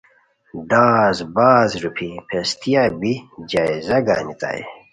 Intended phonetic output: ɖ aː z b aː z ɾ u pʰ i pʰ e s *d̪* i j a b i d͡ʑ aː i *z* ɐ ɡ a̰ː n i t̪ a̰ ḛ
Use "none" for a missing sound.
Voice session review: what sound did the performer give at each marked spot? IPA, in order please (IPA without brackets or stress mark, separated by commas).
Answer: t̪, z